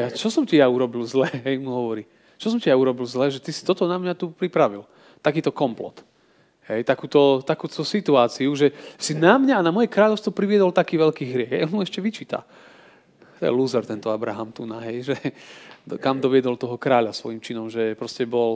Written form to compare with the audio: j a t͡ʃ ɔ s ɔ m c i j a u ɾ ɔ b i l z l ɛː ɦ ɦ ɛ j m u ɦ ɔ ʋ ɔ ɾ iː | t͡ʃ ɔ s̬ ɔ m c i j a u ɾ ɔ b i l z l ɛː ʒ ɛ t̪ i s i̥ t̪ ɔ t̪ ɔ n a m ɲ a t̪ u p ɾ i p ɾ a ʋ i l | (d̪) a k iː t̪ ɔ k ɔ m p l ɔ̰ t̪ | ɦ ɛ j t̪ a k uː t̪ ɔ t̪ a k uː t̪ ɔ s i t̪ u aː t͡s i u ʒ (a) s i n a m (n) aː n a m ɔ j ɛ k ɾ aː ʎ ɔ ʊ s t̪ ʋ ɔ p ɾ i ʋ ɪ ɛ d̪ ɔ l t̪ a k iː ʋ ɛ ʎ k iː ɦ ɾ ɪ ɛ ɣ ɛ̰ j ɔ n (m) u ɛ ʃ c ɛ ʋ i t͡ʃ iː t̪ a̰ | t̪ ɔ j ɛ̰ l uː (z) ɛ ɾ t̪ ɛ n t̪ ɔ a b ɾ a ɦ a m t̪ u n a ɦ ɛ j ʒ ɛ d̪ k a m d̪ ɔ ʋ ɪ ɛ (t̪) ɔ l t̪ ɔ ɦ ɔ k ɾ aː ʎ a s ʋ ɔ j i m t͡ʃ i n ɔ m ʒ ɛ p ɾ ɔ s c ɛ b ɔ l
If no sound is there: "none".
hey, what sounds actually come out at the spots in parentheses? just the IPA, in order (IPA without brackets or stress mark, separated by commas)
t̪, ɛ, ɲ, m, z, d̪